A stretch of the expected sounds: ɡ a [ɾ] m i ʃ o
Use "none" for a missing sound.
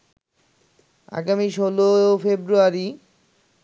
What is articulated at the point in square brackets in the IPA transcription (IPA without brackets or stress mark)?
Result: none